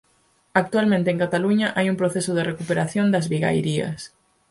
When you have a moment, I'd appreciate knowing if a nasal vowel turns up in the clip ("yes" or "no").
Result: yes